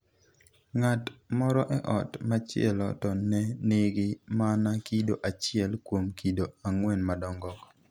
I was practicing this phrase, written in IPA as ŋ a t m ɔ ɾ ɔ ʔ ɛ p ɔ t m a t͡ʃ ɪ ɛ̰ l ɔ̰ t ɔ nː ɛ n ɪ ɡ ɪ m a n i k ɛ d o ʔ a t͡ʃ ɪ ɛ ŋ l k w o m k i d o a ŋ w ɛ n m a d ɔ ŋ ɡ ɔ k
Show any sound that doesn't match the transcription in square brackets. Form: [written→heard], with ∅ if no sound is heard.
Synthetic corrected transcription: ŋ a t m ɔ ɾ ɔ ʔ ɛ [p→ʔ] ɔ t m a t͡ʃ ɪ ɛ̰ l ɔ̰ t ɔ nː ɛ n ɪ ɡ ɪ m a n [i→a] k [ɛ→i] d o ʔ a t͡ʃ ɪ ɛ [ŋ→∅] l k w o m k i d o a ŋ w ɛ n m a d ɔ ŋ ɡ ɔ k